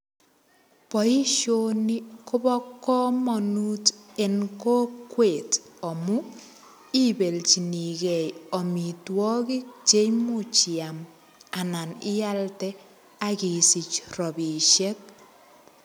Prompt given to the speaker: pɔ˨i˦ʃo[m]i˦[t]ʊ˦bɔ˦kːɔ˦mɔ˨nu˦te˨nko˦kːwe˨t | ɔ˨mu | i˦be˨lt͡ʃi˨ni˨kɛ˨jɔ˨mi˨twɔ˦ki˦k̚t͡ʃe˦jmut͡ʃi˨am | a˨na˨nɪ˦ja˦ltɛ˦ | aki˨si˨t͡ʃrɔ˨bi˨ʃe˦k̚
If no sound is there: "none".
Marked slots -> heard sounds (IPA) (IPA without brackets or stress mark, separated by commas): n, k